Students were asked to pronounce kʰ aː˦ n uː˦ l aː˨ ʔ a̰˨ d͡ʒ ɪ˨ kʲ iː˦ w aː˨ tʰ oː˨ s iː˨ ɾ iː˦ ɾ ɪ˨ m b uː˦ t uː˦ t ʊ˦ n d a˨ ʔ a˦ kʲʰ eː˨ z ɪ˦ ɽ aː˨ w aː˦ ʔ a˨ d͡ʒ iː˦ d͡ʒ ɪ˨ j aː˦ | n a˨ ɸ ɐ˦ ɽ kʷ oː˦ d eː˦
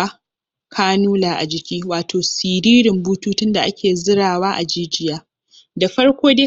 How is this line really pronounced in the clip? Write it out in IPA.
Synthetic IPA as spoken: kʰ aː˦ n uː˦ l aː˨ ʔ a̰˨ d͡ʒ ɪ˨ kʲ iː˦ w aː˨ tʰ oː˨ s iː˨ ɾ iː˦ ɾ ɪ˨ m b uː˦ t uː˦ t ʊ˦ n d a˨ ʔ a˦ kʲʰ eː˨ z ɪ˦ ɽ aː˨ w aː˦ ʔ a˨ d͡ʒ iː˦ d͡ʒ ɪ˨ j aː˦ | d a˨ ɸ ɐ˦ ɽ kʷ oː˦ d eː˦